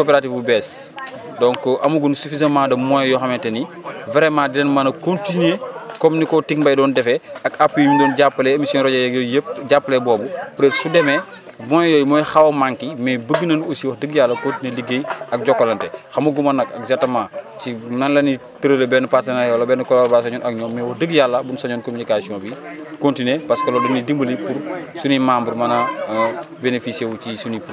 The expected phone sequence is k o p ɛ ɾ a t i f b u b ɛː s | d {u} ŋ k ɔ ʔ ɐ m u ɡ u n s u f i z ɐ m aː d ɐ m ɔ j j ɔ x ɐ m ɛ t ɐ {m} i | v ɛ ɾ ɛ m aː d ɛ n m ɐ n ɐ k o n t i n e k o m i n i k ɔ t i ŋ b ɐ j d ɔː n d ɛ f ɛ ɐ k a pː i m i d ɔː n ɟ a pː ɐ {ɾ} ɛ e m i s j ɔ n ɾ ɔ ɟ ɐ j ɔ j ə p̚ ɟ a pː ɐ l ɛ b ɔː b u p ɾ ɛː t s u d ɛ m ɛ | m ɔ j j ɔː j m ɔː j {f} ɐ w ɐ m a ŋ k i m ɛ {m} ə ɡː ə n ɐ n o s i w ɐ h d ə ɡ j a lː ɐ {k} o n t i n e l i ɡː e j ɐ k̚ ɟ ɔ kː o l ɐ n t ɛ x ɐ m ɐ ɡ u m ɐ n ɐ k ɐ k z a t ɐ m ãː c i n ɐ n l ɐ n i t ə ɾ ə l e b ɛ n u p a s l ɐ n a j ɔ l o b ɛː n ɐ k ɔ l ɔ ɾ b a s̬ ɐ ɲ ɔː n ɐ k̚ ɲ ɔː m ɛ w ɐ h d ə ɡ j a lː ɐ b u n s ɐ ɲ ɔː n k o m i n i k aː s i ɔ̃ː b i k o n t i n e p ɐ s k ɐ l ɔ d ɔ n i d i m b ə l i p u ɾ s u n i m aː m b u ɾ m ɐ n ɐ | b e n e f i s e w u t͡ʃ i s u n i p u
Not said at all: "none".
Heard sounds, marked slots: ɔ, n, l, x, b, k

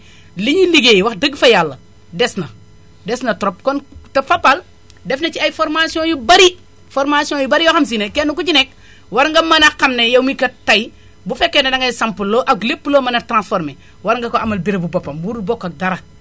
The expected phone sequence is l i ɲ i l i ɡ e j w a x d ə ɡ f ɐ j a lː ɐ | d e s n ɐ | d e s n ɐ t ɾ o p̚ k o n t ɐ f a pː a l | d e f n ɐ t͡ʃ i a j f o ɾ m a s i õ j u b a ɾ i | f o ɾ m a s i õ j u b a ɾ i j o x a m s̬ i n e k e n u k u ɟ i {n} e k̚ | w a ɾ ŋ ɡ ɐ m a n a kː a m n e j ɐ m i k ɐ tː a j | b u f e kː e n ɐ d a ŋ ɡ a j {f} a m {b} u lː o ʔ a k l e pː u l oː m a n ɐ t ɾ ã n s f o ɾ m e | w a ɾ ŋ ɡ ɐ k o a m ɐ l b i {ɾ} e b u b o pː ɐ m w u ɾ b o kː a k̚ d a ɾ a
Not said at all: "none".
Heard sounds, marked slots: n, s, p, ɾ

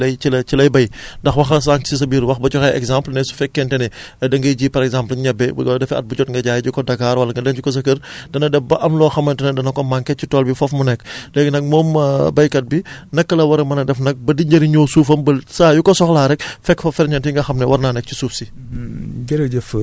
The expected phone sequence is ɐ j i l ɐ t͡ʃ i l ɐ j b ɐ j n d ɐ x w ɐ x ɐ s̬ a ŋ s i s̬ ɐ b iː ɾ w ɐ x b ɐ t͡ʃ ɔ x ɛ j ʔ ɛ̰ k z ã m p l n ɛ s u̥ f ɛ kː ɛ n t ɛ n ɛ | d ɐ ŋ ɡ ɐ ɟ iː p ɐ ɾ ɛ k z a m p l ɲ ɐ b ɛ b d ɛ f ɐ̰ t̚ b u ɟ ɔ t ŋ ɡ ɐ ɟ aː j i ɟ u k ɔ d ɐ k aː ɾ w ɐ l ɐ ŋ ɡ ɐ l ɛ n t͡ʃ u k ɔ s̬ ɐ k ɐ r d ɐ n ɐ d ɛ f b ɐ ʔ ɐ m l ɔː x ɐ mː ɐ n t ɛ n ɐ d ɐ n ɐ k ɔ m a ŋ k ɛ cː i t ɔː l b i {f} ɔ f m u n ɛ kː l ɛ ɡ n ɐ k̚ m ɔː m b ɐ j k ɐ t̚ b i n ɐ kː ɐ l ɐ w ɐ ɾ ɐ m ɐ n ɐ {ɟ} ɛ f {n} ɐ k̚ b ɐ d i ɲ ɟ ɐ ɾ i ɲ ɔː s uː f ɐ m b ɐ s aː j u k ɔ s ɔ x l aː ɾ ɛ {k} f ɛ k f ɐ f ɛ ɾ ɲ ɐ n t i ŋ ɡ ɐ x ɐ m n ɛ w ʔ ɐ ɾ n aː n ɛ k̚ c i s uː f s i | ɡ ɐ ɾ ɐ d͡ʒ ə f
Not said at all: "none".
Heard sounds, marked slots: f, d, n, k

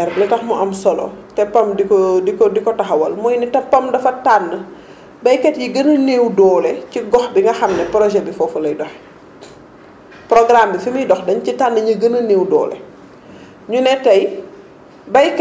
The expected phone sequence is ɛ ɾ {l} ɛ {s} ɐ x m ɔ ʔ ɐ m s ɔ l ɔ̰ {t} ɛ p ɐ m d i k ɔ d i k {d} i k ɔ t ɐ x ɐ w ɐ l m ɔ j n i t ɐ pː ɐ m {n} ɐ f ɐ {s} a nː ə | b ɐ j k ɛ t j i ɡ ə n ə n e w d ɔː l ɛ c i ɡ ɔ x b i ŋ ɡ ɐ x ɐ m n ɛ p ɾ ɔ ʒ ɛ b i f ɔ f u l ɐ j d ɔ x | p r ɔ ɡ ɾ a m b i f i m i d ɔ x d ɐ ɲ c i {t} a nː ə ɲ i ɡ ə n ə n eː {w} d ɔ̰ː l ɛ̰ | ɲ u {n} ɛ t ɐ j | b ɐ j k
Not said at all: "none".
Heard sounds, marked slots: l, t, t, d, d, t, t, w, n

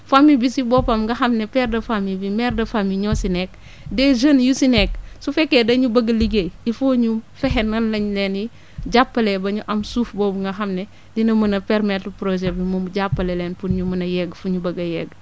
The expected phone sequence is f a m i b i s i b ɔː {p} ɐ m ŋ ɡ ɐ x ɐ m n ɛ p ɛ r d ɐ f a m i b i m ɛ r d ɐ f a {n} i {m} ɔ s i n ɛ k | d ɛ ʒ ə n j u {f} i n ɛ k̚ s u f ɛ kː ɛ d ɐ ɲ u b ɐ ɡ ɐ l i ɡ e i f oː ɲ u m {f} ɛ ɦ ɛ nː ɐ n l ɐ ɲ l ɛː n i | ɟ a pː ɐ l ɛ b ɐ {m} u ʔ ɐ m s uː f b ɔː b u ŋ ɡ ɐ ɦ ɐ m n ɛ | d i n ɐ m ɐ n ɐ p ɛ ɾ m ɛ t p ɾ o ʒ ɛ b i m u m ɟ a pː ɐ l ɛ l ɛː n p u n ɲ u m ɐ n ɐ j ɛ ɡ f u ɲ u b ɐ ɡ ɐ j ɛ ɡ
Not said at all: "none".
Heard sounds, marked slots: p, m, ɲ, s, f, ɲ

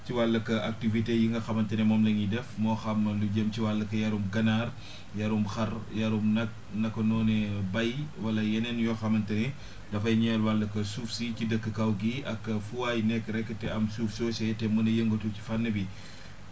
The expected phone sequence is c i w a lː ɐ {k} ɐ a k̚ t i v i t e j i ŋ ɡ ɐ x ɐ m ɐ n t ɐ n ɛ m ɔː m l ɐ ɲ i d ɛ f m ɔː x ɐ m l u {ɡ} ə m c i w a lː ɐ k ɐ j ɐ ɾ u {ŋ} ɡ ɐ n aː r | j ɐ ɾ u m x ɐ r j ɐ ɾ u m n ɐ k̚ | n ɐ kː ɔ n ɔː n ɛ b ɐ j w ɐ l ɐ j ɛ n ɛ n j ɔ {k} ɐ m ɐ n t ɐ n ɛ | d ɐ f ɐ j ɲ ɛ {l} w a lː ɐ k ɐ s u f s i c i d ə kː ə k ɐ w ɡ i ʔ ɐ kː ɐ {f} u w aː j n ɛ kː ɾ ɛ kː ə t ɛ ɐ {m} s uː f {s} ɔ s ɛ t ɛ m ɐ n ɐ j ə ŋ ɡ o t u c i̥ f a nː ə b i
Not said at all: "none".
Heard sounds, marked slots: k, ɟ, m, x, l, f, m, s

